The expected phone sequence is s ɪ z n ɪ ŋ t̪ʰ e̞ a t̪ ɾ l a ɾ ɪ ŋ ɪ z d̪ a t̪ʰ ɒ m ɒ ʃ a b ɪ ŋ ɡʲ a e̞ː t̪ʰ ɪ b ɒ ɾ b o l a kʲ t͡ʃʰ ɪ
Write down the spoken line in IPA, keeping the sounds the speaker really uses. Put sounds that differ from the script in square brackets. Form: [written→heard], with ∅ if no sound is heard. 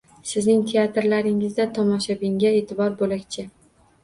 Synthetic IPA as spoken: s ɪ z n ɪ ŋ t̪ʰ e̞ a t̪ ɾ l a ɾ ɪ ŋ ɪ z d̪ a t̪ʰ ɒ m ɒ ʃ a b ɪ ŋ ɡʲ a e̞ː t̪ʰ ɪ b ɒ ɾ b o l a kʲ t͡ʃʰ ɪ